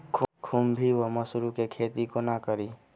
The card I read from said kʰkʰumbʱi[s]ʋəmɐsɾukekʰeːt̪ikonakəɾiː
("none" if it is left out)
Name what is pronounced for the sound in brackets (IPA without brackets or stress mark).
none